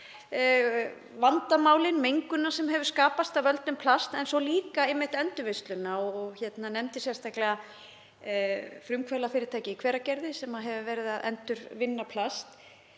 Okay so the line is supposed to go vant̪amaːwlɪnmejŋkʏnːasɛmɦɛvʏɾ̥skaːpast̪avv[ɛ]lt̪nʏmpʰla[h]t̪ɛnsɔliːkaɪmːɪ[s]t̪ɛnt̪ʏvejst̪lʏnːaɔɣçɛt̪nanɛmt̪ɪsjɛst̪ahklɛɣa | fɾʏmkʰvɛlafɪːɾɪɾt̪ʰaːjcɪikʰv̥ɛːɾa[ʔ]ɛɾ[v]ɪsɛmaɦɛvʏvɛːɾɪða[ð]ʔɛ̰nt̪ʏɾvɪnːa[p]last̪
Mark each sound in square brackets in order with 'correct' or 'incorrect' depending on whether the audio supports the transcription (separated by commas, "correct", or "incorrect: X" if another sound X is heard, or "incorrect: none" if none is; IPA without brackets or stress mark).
incorrect: œ, incorrect: s, incorrect: h, incorrect: c, incorrect: ð, correct, incorrect: pʰ